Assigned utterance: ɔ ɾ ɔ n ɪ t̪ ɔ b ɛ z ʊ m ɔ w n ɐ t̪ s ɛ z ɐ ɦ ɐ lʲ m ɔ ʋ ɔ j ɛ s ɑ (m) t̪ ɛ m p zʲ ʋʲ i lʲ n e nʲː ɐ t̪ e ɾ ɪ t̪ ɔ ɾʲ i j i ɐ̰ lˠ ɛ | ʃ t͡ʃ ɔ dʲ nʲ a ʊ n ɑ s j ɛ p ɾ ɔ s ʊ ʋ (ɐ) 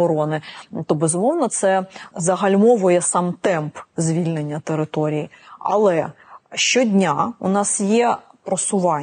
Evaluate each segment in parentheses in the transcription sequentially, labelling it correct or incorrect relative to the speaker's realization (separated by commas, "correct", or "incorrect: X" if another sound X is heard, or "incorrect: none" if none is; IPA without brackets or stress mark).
correct, incorrect: ɑ